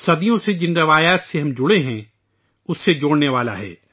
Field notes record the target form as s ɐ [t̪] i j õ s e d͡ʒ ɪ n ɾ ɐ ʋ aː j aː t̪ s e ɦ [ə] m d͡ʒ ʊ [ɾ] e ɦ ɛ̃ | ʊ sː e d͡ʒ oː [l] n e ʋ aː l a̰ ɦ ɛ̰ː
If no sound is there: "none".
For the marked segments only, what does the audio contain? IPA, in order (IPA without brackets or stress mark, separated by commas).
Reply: d̪, ɐ, ɽ, ɽ